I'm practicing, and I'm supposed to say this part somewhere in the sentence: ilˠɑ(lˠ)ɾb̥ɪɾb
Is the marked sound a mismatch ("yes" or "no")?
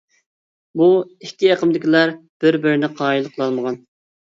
yes